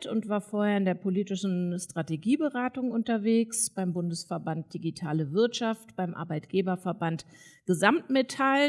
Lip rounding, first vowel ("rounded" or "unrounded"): rounded